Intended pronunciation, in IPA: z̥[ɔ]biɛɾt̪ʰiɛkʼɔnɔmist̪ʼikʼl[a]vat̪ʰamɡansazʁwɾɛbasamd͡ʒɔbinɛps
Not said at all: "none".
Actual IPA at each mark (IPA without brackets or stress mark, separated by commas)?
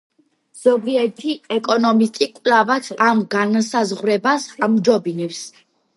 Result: ɔ, a